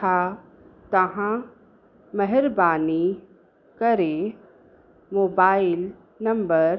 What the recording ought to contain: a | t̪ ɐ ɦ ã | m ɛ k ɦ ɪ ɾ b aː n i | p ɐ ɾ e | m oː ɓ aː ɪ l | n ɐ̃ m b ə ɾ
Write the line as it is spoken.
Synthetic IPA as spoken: a | t̪ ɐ ɦ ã | m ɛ ɦ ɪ ɾ b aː n i | k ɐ ɾ e | m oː b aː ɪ l | n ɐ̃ m b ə ɾ